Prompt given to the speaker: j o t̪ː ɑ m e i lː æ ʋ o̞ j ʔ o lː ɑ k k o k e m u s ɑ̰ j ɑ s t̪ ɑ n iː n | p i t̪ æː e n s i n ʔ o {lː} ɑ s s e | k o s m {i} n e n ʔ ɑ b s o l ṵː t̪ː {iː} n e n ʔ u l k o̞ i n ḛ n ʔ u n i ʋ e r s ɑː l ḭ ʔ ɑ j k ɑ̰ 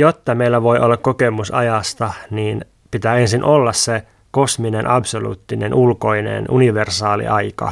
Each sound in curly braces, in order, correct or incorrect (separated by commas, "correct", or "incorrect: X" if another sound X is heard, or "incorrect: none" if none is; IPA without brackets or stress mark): correct, correct, incorrect: i